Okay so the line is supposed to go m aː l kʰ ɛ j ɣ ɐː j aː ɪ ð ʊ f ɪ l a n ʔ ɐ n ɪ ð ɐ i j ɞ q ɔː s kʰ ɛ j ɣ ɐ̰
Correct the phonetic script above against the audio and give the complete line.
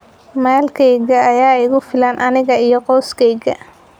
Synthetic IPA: m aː l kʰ ɛ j ɣ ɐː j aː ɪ ɣ ʊ f ɪ l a n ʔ ɐ n ɪ ɣ ɐ i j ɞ q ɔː s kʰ ɛ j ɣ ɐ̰